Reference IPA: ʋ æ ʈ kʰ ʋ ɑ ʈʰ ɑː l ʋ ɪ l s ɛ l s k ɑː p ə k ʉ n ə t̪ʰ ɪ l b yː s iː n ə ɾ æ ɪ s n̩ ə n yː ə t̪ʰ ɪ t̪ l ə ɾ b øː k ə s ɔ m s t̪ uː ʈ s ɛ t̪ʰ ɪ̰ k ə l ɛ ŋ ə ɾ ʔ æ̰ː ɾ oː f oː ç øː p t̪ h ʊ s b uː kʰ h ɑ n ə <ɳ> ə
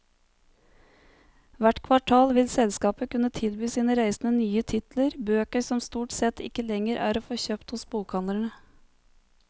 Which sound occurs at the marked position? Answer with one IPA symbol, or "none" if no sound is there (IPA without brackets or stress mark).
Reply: ɳ